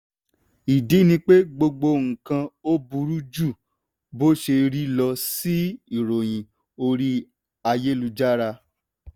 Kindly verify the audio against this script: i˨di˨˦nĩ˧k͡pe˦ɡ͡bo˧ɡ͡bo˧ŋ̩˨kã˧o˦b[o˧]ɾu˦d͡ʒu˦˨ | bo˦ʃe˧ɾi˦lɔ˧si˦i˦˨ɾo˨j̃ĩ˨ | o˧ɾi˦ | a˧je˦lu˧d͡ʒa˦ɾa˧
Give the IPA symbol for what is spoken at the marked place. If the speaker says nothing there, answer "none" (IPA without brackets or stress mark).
u˧